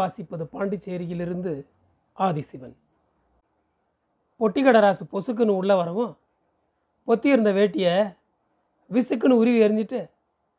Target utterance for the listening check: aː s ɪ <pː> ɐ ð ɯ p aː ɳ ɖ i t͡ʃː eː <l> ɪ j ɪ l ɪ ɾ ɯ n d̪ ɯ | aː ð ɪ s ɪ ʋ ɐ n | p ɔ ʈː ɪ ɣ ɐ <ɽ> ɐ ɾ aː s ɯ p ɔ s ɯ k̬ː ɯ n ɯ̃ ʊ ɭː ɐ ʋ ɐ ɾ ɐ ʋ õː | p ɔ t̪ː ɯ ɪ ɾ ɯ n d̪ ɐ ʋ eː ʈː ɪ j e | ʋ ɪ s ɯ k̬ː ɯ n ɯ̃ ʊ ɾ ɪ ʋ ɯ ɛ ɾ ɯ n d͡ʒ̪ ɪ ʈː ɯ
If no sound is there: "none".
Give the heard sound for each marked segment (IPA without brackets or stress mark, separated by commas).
pː, ɾ, ɽ